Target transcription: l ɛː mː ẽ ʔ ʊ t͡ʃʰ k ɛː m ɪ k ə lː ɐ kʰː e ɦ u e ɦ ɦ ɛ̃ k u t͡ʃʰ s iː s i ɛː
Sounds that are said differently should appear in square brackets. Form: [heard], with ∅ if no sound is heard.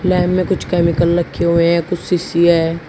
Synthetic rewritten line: l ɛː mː ẽ [k] ʊ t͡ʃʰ k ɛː m ɪ k ə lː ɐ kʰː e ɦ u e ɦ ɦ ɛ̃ k [ʊ] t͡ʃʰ s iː s i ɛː